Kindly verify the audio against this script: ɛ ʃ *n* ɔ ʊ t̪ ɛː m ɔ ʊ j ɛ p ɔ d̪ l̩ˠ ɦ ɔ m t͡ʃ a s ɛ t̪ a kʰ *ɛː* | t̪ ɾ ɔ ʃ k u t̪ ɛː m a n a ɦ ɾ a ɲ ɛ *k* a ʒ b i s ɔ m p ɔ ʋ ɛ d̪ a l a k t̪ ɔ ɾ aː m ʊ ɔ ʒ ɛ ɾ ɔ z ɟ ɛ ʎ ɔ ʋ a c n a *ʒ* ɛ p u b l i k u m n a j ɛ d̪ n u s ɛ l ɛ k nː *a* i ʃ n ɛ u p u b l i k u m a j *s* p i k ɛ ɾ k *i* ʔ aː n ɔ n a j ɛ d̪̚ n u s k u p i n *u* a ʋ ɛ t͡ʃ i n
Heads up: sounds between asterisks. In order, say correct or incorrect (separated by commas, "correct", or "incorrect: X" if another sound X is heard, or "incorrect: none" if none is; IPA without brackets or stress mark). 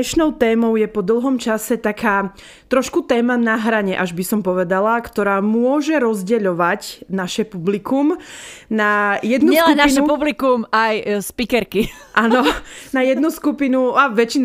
correct, incorrect: aː, incorrect: ʔ, incorrect: ʃ, correct, correct, correct, correct